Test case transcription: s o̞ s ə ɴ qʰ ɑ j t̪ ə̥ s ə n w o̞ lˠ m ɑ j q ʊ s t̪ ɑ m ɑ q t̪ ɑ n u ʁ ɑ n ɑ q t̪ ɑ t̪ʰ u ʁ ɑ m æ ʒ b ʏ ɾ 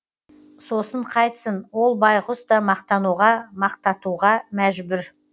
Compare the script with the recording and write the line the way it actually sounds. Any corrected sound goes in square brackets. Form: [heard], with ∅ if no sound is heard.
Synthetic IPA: s o̞ s ə ɴ qʰ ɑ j t̪ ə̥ s ə n w o̞ lˠ [b] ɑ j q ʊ s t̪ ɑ m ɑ q t̪ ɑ n u ʁ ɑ [m] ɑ q t̪ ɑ [t̪] u ʁ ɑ m æ ʒ b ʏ ɾ